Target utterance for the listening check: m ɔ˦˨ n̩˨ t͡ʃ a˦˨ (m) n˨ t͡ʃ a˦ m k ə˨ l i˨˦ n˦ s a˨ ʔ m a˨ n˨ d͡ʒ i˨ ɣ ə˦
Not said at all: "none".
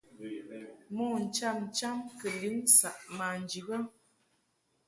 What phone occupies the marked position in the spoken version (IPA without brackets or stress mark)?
m